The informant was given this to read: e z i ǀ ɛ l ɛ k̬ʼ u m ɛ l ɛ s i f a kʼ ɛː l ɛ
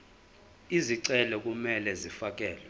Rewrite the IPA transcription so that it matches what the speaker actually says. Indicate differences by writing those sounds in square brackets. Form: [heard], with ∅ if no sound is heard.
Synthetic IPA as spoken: [i] z i ǀ ɛ l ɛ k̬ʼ u m ɛ l ɛ [z] i f a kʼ ɛː l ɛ

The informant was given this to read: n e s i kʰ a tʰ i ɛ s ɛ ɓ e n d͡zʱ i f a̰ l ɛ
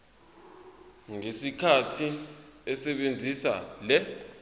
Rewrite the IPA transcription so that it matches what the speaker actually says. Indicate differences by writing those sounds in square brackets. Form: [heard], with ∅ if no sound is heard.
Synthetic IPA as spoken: [ŋ] e s i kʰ a tʰ i ɛ s ɛ ɓ e n d͡zʱ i [s] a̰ l ɛ

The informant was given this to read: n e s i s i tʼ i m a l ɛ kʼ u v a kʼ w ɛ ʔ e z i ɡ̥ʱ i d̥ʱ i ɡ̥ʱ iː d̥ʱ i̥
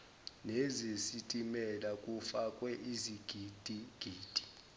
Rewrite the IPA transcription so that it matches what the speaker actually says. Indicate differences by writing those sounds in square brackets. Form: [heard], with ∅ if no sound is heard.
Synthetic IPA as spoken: n e [z] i s i tʼ i m [ɛ] l [a] kʼ u [f] a kʼ w ɛ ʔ [i] z i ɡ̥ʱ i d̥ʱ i ɡ̥ʱ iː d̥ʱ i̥

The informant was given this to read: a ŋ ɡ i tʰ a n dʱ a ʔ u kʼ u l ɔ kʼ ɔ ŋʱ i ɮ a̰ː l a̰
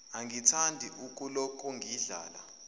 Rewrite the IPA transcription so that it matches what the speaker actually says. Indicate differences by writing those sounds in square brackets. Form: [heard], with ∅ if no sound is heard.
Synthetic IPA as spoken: a ŋ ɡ i tʰ a n dʱ [i] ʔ u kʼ u l ɔ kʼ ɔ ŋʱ i ɮ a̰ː l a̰

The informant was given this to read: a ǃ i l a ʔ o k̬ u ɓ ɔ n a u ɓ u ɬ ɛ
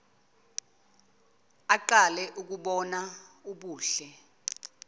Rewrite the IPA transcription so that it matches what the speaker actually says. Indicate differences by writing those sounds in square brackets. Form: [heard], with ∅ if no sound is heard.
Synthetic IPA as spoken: a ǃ [a] l [ɛ] ʔ [u] k̬ u ɓ ɔ n a u ɓ [uː] ɬ ɛ

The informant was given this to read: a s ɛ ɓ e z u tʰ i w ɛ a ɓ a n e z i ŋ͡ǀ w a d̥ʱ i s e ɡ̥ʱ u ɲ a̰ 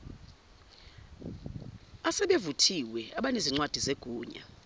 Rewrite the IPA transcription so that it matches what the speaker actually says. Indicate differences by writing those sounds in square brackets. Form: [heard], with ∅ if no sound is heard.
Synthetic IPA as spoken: a s ɛ ɓ e [v] u tʰ i w ɛ a ɓ a n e z i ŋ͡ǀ w a d̥ʱ i [z] e ɡ̥ʱ [uː] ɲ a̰

